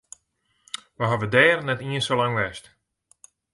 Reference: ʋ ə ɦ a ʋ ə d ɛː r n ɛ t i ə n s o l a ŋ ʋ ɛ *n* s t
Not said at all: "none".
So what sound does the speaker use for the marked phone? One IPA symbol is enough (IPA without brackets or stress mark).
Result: none